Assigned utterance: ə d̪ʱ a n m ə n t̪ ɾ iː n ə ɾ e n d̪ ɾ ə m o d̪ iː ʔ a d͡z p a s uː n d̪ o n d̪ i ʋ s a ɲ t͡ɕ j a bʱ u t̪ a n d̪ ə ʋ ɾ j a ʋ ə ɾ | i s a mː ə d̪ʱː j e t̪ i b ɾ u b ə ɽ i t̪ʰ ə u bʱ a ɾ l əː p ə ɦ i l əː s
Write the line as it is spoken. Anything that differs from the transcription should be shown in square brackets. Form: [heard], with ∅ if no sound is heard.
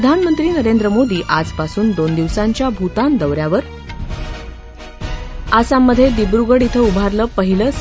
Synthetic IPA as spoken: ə d̪ʱ a n m ə n t̪ ɾ iː n ə ɾ e n d̪ ɾ ə m o d̪ iː ʔ a d͡z p a s uː n d̪ o n d̪ i ʋ s a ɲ t͡ɕ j a bʱ u t̪ a n d̪ ə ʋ ɾ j a ʋ ə ɾ | [a] s a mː ə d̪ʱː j e [d̪] i b ɾ u [ɡ] ə ɽ i t̪ʰ ə u bʱ a ɾ l əː p ə ɦ i l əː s